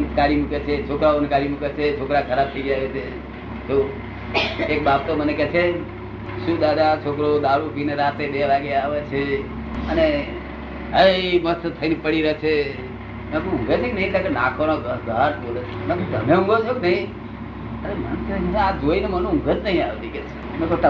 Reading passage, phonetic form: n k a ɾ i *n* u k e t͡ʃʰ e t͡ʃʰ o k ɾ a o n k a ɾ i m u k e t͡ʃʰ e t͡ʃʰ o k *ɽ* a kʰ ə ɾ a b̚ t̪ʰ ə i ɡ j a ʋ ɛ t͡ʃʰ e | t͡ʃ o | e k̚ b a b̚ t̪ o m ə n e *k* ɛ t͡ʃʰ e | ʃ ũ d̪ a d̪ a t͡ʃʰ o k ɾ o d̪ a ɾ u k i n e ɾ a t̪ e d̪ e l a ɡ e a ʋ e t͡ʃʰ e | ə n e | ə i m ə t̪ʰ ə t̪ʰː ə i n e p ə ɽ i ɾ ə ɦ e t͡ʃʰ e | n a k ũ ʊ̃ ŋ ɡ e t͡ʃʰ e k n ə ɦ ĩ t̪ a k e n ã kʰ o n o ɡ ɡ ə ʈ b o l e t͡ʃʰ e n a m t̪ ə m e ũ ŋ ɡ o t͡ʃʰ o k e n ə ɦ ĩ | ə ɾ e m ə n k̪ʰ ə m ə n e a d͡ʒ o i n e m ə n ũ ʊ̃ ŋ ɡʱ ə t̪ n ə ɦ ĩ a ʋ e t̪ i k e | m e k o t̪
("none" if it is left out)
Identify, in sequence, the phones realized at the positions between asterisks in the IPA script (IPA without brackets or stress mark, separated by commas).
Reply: m, ɾ, k